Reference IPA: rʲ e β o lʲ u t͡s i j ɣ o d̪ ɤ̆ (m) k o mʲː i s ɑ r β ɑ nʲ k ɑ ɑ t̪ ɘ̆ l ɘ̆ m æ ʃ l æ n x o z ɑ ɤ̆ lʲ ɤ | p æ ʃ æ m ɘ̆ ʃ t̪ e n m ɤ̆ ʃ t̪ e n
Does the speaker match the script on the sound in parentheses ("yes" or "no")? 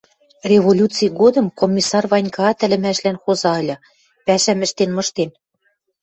yes